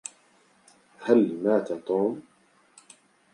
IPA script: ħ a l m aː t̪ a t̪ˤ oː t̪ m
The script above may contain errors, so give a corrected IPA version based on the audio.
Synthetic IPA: h a l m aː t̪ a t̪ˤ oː m